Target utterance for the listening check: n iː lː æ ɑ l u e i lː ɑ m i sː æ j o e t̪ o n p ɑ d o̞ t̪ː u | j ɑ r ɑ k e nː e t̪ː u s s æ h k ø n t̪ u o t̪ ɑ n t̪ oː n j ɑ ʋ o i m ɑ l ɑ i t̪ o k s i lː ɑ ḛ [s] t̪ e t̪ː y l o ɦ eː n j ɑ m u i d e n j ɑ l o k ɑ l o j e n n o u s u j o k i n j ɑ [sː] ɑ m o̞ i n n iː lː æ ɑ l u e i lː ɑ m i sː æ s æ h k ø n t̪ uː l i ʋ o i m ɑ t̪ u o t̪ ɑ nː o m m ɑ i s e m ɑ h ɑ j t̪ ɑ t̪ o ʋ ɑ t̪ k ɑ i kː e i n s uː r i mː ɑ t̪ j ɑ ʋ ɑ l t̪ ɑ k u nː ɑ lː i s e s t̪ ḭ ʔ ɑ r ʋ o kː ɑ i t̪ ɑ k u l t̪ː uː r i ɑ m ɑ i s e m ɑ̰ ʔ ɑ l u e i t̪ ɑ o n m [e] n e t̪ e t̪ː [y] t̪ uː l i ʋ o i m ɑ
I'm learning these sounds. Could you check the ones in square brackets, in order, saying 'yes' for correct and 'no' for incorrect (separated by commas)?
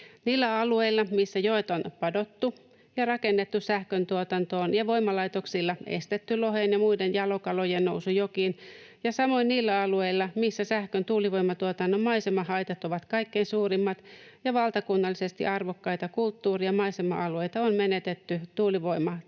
yes, no, yes, yes